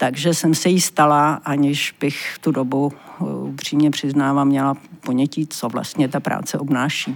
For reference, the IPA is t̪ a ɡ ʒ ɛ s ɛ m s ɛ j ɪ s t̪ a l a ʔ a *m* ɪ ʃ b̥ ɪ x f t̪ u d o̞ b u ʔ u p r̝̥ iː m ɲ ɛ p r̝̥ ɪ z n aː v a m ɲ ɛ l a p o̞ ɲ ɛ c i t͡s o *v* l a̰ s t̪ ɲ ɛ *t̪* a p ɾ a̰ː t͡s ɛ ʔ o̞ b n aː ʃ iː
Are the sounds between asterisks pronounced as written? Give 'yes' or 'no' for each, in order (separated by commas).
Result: no, yes, yes